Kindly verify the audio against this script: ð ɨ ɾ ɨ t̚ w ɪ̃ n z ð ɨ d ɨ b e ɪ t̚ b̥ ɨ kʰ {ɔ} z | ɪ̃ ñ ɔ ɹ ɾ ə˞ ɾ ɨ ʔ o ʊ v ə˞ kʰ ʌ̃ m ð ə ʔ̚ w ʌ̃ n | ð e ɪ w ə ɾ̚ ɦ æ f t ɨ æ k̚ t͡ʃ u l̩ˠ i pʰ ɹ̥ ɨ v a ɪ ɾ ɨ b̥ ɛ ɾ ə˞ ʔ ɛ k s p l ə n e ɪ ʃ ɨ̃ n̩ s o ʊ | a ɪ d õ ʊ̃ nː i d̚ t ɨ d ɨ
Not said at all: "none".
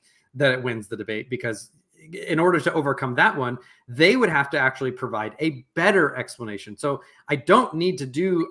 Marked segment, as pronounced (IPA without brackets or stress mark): ʌ